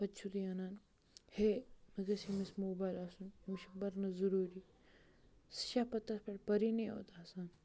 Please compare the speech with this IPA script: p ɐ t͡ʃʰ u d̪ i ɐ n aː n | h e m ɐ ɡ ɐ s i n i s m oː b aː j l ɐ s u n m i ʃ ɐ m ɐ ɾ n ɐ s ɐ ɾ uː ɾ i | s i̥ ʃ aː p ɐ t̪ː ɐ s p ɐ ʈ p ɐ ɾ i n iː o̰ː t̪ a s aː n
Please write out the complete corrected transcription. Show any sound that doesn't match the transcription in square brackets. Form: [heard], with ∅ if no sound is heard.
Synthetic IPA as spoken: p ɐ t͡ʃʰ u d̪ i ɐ n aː n | h e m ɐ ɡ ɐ s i [m] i s m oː b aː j l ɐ s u n m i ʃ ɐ [b] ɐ ɾ n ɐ [z] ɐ ɾ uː ɾ i | s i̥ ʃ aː p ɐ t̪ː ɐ s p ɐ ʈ p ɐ ɾ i n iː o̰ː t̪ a s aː n